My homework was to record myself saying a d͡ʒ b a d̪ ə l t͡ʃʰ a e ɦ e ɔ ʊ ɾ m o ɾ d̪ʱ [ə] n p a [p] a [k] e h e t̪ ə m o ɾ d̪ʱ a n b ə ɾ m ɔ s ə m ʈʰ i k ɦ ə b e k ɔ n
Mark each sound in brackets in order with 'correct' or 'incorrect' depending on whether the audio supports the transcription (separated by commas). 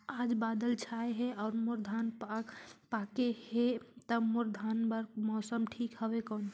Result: incorrect, correct, correct